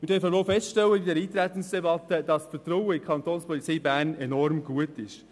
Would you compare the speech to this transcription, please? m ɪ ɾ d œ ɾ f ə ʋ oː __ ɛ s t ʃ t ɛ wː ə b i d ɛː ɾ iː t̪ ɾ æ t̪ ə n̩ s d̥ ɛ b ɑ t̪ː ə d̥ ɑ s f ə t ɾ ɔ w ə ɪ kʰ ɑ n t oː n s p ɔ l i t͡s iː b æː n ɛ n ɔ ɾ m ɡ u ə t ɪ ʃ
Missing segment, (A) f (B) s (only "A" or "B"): A